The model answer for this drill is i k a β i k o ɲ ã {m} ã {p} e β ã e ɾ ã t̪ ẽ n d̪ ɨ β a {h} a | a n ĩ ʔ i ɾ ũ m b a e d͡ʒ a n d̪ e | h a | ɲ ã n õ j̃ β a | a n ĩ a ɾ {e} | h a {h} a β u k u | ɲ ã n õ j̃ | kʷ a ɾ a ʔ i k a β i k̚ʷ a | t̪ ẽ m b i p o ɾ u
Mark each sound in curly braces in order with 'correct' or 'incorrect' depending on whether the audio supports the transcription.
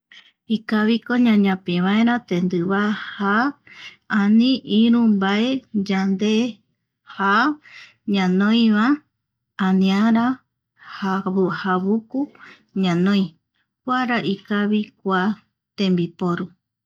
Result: incorrect, correct, correct, incorrect, correct

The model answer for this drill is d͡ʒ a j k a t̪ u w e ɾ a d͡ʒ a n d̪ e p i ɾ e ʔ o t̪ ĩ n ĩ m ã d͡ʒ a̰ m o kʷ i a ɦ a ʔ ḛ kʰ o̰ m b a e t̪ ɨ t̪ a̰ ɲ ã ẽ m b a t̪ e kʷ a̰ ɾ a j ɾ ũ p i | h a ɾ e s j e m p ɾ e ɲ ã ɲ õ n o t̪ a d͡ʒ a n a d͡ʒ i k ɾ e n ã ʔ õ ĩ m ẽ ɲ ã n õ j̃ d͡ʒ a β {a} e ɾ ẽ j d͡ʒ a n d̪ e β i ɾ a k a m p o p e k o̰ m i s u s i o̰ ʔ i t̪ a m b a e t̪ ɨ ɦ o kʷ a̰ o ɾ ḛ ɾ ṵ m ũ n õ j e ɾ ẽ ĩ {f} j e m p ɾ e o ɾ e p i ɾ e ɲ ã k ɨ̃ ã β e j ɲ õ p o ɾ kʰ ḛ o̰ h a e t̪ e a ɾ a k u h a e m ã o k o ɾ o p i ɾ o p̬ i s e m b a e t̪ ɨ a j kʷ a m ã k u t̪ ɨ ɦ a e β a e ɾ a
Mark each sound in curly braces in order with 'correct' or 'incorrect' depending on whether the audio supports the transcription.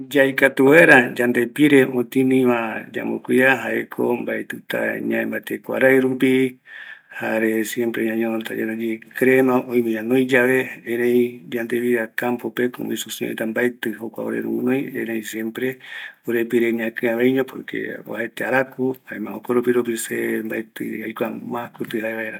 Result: incorrect, incorrect

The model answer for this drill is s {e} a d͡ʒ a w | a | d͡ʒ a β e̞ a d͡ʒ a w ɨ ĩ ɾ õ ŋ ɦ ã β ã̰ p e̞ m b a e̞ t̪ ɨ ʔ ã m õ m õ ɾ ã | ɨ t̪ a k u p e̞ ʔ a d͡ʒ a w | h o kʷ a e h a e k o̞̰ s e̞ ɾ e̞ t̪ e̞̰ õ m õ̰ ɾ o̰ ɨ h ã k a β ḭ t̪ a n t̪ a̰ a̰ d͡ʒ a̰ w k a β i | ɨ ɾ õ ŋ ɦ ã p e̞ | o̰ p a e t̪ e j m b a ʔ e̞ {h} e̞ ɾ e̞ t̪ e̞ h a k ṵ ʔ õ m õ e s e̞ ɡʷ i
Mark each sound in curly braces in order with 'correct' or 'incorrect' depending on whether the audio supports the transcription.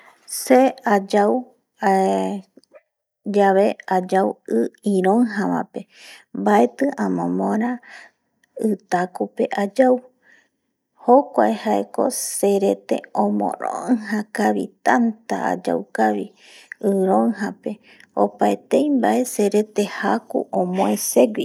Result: correct, incorrect

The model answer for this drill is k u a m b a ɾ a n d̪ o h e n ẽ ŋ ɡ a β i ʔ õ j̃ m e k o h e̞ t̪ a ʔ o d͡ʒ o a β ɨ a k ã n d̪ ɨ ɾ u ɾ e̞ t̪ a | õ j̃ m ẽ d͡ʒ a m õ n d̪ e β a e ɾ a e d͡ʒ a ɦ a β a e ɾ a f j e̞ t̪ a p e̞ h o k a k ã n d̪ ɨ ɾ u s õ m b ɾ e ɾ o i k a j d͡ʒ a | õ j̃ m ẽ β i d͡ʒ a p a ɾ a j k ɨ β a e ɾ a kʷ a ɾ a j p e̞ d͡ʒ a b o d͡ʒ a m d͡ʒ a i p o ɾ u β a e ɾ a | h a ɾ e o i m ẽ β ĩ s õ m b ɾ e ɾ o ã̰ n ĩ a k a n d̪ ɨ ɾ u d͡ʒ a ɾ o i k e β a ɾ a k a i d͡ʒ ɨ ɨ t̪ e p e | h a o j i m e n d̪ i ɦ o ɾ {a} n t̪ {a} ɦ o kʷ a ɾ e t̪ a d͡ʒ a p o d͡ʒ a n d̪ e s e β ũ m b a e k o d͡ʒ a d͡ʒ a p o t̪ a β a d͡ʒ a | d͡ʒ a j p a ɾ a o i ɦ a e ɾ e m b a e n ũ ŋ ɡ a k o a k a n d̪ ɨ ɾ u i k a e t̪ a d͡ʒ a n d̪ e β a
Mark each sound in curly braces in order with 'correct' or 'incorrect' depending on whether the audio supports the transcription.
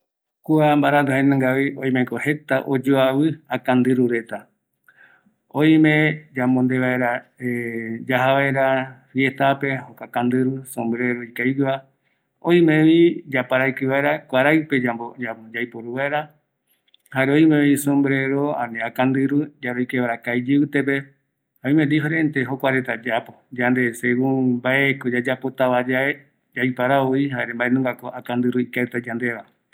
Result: incorrect, incorrect

